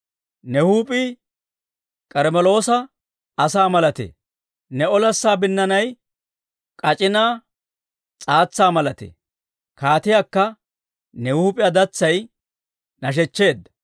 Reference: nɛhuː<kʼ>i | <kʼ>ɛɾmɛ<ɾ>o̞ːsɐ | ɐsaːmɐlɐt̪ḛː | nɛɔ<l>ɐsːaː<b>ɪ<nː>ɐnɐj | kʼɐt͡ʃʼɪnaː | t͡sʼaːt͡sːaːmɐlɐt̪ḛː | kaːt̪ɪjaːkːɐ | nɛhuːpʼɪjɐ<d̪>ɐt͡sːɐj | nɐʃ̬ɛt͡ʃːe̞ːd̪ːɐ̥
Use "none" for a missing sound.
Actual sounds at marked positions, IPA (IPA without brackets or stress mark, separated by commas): pʼ, kʼ, l, l, b, nː, d̪